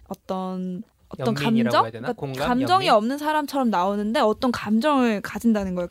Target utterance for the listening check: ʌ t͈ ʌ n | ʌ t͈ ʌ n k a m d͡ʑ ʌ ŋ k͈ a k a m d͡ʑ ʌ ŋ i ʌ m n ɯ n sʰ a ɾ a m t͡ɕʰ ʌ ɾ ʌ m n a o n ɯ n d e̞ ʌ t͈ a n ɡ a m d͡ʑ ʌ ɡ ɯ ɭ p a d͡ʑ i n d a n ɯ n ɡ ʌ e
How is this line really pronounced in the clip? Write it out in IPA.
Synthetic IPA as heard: ʌ t͈ ʌ n | ʌ t͈ ʌ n k a m d͡ʑ ʌ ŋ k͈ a k a m d͡ʑ ʌ ŋ i ʌ m n ɯ n sʰ a ɾ a m t͡ɕʰ ʌ ɾ ʌ m n a o n ɯ n d e̞ ʌ t͈ ʌ n k a m d͡ʑ ʌ ŋ ɯ ɭ k a d͡ʑ i n d a n ɯ n ɡ ʌ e